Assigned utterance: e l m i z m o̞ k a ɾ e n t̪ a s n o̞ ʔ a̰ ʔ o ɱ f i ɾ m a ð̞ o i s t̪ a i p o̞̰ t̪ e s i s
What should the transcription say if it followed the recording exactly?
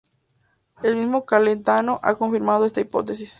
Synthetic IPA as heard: e l m i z m o̞ k a l e n t̪ a n o̞ ʔ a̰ k o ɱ f i ɾ m a ð̞ o e s t̪ a i p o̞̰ t̪ e s i s